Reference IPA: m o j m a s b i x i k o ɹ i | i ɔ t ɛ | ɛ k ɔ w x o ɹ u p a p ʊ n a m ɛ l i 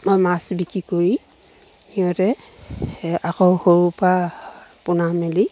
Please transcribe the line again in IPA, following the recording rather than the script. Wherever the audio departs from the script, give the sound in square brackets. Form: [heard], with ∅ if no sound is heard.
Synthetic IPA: m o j m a s b i [k] i k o ɹ i | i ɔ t ɛ | [a] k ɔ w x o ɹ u p a p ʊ n a m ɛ l i